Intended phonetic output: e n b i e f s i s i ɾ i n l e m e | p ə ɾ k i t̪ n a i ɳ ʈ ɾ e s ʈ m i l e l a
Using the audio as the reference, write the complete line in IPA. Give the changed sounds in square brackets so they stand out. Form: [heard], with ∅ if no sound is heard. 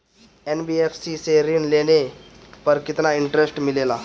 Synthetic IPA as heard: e n b i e f s i s [e] ɾ i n l e [n] e | p ə ɾ k i t̪ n a i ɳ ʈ ɾ e s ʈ m i l e l a